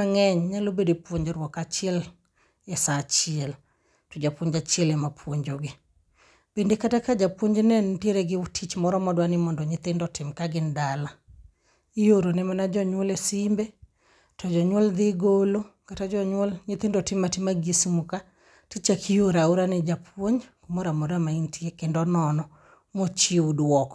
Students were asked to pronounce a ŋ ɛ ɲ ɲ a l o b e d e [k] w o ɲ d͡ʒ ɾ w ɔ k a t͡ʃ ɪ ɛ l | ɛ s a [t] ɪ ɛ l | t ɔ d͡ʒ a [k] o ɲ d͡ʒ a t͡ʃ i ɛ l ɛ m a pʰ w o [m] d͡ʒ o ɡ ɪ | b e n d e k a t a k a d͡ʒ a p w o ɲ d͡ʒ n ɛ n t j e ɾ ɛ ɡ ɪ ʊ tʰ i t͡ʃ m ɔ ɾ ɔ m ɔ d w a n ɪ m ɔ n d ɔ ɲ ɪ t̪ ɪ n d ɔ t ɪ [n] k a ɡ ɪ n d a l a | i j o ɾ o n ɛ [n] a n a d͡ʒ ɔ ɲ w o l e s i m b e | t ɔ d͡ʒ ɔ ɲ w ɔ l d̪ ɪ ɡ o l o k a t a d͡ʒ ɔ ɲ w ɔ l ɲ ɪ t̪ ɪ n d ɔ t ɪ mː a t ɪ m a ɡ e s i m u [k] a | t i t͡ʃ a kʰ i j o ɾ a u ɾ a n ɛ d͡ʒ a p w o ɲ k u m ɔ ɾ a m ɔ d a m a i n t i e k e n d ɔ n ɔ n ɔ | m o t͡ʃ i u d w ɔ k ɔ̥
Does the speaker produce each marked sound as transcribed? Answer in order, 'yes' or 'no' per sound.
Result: no, no, no, no, no, no, yes

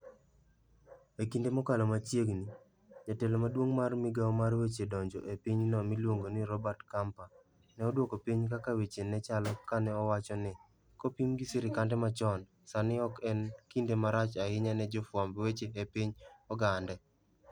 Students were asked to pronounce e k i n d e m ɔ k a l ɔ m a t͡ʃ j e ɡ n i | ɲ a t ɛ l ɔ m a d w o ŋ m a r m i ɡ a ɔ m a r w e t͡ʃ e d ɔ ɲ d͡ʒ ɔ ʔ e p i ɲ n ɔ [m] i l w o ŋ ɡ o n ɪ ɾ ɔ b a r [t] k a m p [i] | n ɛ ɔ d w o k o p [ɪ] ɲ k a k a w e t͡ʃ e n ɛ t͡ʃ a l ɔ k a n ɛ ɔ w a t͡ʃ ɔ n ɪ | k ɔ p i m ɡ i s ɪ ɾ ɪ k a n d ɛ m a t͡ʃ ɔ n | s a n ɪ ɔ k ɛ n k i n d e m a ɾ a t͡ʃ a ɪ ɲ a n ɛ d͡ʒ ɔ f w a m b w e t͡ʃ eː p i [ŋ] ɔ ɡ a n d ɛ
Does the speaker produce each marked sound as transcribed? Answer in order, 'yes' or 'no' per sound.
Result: yes, yes, no, no, no

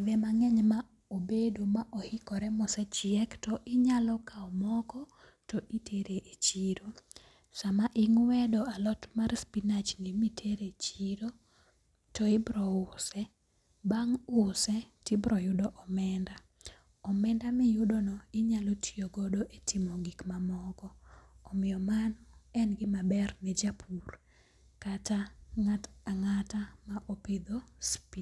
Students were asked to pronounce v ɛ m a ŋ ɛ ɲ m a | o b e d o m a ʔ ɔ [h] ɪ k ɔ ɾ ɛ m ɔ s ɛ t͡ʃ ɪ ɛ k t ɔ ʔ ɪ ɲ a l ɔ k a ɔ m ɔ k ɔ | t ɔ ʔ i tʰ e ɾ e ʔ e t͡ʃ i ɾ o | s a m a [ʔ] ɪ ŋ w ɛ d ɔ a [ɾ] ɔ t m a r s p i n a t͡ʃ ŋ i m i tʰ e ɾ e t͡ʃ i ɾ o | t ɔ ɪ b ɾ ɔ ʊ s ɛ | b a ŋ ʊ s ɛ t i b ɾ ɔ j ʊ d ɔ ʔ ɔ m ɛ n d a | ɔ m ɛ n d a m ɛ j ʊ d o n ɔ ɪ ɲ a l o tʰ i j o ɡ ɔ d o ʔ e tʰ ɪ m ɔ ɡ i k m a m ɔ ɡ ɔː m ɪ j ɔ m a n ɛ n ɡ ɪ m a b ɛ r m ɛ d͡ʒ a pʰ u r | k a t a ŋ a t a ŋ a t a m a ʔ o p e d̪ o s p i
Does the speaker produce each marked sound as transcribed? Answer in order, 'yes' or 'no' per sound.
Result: yes, yes, no

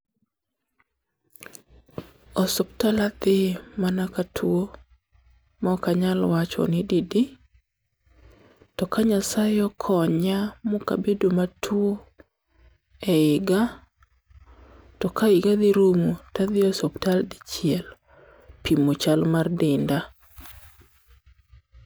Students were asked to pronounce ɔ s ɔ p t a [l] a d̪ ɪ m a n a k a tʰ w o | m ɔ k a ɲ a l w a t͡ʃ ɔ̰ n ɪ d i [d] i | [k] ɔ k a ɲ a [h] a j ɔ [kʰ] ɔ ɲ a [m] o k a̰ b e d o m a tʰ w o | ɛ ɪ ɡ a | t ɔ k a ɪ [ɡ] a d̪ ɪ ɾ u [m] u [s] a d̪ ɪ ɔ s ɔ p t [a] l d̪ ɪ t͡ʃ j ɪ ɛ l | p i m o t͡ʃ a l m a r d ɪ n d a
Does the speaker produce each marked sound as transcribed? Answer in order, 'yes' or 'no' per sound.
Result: yes, yes, no, no, yes, yes, yes, yes, no, yes

